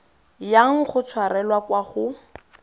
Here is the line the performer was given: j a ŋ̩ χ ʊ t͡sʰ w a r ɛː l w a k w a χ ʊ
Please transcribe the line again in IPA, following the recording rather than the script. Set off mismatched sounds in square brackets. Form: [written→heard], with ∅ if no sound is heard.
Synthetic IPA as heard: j a ŋ̩ χ ʊ t͡sʰ w a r [ɛː→ɛ] l w a k w a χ ʊ